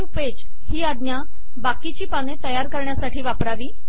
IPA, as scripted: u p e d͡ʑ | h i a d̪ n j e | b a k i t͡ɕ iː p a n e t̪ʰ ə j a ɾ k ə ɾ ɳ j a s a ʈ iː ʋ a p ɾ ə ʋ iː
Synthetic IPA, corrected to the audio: u p e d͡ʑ | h iː a d̪ n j a | b a k i t͡ɕ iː p a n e t̪ ə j a ɾ k ə ɾ ɳ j a s a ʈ iː ʋ a p ɾ a ʋ iː